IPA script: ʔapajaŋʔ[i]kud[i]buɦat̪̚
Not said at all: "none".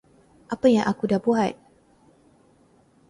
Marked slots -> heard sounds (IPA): a, a

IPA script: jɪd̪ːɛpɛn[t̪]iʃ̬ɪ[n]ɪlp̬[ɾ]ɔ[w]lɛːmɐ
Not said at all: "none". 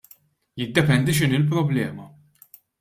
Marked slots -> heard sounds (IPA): d̪, n, ɾ, b

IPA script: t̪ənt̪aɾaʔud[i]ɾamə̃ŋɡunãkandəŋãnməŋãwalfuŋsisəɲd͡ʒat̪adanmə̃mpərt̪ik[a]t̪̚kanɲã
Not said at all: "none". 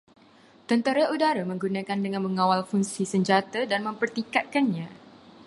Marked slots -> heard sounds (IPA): a, a

